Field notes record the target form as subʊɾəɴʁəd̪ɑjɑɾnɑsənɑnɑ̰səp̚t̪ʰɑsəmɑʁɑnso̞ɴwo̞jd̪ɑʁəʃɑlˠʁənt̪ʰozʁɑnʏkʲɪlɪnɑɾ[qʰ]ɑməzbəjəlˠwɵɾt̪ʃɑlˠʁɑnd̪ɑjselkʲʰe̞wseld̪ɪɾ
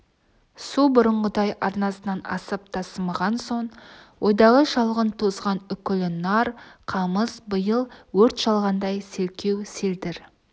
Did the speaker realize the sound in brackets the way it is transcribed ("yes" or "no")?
yes